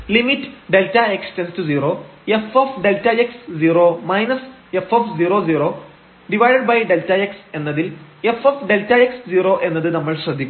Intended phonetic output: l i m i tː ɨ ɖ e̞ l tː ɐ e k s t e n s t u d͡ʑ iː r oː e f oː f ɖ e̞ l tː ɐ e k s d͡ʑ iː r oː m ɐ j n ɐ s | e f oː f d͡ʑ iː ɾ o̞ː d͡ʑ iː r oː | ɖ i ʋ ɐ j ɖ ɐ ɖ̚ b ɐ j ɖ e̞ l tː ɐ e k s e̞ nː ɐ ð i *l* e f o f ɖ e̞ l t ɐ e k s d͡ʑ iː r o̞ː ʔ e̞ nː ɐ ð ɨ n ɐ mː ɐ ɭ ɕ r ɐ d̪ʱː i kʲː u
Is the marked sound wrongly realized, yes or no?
no